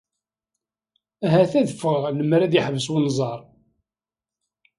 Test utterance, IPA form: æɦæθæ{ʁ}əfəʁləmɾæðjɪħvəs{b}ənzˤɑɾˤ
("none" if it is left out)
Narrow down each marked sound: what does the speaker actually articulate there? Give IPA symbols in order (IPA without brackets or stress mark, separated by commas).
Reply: ð, w